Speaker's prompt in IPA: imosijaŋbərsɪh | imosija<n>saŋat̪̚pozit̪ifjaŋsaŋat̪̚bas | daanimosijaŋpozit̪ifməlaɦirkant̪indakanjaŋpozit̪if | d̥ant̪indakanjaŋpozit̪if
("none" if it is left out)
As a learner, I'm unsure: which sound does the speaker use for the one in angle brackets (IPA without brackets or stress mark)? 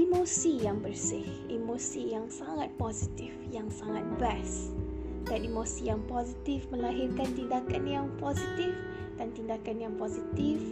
ŋ